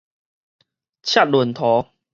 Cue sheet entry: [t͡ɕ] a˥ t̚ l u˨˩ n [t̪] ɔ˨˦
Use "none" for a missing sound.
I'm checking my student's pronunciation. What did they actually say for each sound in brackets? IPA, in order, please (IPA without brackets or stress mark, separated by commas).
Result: t͡ɕʰ, t̪ʰ